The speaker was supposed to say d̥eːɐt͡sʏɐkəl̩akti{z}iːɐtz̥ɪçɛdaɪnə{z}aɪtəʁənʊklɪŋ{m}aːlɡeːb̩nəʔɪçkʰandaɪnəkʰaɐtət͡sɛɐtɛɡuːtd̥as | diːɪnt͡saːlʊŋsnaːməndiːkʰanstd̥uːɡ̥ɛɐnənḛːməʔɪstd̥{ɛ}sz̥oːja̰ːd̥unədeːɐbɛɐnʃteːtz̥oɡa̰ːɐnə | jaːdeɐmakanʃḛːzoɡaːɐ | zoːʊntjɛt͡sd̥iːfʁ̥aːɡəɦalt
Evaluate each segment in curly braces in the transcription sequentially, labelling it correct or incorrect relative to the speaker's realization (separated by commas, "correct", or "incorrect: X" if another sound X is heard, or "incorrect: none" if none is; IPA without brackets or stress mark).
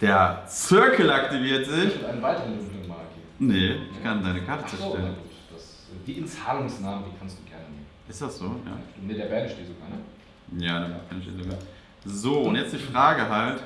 incorrect: v, incorrect: v, correct, incorrect: a